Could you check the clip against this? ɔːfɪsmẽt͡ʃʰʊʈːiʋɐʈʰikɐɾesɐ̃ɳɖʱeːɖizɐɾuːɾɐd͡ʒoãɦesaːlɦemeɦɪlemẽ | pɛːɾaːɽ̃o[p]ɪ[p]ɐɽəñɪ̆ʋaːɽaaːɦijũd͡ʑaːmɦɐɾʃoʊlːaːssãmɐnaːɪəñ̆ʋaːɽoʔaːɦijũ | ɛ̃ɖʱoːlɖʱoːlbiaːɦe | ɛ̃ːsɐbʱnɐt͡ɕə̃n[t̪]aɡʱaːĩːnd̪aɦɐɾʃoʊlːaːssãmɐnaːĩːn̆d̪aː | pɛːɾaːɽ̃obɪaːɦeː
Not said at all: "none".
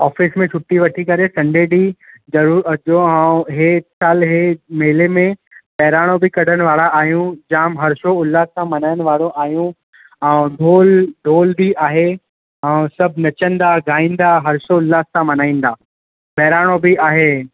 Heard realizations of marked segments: b, k, d̪

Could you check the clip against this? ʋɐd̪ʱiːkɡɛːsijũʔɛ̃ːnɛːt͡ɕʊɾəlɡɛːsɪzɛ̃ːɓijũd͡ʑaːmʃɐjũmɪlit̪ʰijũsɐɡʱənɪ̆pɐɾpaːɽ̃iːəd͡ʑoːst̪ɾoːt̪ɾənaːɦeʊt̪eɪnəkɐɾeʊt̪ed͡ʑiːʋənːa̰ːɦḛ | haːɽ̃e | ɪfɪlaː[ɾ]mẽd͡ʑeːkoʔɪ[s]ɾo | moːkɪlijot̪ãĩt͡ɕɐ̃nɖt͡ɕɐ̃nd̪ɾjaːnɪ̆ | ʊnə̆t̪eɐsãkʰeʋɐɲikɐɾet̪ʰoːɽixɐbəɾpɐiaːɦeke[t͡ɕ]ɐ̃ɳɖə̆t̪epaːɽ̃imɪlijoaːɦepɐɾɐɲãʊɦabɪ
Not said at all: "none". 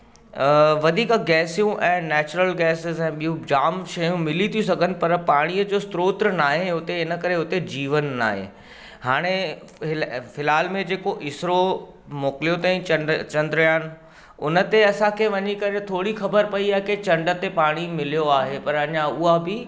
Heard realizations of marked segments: l, s, t͡ɕ

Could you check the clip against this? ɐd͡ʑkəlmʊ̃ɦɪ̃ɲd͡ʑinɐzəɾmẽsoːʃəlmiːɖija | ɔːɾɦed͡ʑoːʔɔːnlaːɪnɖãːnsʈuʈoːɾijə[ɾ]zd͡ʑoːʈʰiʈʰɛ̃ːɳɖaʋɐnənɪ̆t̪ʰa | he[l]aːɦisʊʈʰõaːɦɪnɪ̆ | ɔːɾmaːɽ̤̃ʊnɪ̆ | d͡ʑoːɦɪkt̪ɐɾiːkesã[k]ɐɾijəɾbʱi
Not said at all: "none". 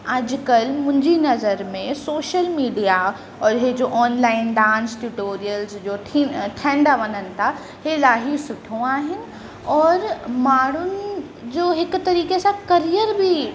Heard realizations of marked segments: l, l, k

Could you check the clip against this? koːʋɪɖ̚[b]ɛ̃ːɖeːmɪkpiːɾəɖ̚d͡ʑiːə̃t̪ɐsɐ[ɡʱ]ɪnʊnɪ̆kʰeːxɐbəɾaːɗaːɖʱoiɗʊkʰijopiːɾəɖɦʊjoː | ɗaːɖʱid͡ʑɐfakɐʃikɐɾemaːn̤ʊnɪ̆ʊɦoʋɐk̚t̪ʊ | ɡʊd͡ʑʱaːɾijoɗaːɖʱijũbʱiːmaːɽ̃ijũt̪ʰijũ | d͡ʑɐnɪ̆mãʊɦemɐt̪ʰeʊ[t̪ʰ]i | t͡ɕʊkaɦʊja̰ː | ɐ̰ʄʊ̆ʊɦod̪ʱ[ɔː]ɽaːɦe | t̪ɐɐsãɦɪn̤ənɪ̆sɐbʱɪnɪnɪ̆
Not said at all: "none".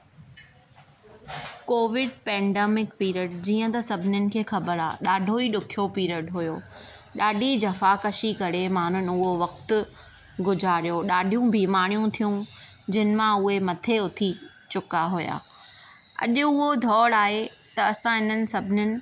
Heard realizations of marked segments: p, bʱ, t̪ʰ, ɔː

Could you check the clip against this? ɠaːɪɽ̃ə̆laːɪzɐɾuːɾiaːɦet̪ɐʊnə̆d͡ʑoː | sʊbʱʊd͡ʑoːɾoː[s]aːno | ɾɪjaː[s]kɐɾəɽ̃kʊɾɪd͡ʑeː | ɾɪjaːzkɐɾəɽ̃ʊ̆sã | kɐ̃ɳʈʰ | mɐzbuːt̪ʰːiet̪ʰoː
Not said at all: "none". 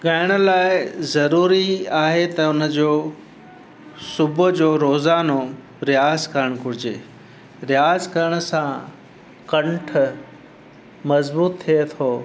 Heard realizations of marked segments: z, z

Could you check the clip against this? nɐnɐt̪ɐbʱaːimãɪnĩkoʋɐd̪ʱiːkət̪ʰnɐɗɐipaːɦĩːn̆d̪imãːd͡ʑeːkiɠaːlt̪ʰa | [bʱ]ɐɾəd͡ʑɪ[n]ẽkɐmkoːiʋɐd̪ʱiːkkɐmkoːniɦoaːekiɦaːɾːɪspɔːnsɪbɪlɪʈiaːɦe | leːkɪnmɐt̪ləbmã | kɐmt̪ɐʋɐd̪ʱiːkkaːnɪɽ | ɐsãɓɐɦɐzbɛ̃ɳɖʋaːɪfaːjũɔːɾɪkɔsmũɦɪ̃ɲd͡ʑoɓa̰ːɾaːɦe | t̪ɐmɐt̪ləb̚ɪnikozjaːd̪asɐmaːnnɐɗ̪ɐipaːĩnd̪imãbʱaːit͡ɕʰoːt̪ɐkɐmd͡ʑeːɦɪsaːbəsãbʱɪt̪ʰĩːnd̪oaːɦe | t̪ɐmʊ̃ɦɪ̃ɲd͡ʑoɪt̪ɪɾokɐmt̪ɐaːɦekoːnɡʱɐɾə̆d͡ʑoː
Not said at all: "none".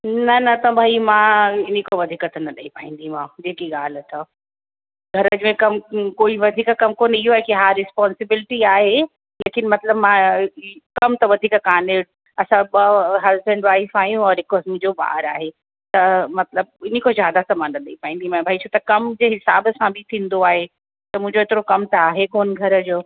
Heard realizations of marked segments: ɡʱ, m

